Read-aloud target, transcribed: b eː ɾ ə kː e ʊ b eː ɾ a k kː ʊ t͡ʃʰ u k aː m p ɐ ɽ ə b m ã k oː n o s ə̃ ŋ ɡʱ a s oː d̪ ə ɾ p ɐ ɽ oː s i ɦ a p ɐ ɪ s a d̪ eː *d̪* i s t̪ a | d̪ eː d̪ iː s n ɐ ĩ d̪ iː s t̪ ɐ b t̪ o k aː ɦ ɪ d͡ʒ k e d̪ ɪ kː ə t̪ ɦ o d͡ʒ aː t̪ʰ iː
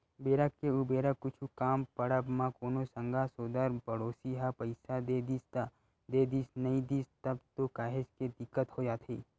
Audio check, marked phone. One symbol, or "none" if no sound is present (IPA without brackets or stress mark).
d̪